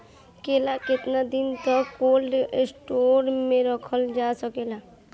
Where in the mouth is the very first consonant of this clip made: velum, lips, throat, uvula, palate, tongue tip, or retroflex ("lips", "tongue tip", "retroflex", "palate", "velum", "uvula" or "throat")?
velum